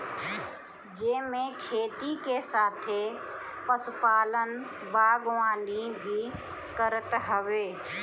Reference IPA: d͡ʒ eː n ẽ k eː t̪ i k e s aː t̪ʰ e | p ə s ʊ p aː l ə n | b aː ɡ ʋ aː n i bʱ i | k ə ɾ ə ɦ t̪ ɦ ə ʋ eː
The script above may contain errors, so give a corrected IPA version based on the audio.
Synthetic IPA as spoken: d͡ʒ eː m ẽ kʰ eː t̪ i k e s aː t̪ʰ e | p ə s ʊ p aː l ə n | b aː ɡ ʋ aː n i bʱ i | k ə ɾ ə t̪ ɦ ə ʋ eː